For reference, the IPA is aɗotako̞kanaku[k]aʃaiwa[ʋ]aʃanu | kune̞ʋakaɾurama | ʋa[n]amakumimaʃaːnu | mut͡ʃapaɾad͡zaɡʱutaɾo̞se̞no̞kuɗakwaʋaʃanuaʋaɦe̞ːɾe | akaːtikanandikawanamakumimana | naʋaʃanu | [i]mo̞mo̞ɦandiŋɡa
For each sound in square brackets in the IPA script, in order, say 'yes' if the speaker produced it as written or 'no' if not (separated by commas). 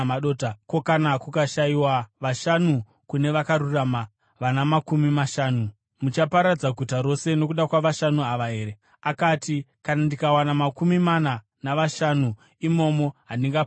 yes, yes, yes, yes